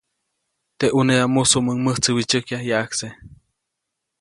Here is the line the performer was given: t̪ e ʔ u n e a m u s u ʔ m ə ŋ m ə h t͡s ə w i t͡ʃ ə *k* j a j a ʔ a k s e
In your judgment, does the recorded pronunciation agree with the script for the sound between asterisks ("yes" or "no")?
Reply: yes